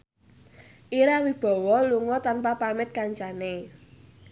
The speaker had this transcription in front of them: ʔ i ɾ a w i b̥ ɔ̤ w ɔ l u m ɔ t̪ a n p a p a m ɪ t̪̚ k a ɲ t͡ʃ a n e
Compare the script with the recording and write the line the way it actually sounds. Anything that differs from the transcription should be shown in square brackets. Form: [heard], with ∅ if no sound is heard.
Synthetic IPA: ʔ i ɾ a w i b̥ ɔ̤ w ɔ l u [ŋ] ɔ t̪ a n p a p a m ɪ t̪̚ k a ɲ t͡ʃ a n e